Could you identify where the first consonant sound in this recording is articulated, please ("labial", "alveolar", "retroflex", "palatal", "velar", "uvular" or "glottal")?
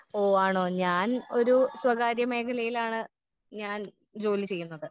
retroflex